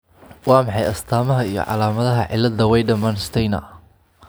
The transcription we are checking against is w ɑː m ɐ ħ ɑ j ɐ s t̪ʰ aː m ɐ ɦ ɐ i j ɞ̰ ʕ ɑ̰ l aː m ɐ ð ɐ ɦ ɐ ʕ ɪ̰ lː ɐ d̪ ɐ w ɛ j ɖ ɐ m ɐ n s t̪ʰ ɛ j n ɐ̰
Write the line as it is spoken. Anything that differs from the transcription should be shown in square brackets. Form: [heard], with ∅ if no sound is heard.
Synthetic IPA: w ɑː m [ɑ] ħ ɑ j ɐ s t̪ʰ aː m ɐ ɦ ɐ i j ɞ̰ ʕ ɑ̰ l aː m ɐ ð ɐ ɦ ɐ ʕ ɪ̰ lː ɐ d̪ ɐ w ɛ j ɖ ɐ m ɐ n s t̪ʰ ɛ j n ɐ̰